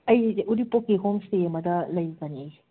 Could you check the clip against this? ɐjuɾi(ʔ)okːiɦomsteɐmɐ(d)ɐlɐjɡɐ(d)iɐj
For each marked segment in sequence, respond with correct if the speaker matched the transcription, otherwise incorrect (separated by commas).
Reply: incorrect, correct, incorrect